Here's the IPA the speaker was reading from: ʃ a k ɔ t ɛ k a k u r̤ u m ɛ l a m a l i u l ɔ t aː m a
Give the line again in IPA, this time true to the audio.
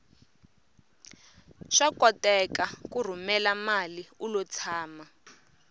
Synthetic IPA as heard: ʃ a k ɔ t ɛ k a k u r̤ u m ɛ l a m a l i u l ɔ t͡sʰ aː m a